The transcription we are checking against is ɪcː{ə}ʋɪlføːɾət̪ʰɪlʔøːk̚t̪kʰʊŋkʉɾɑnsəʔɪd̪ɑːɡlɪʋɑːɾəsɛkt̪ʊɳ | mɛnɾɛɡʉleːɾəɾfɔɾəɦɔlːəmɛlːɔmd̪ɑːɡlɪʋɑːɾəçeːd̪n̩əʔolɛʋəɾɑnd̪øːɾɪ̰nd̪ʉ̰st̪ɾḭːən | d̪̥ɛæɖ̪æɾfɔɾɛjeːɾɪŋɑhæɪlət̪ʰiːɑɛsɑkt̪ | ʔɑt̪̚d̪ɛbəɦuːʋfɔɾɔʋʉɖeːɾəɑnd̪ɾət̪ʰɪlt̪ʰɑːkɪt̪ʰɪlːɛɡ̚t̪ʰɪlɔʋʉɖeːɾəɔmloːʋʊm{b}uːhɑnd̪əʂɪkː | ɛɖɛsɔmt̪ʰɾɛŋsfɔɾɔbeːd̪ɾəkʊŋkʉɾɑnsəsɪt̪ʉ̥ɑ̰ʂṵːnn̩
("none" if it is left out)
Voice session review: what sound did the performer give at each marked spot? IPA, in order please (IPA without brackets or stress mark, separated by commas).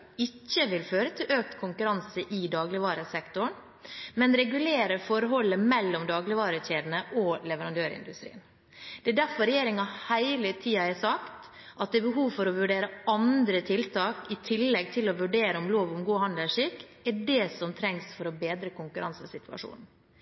ə, ɡ